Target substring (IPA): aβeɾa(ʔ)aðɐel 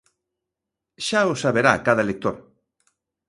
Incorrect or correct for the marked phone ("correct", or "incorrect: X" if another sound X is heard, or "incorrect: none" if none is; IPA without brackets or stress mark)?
incorrect: k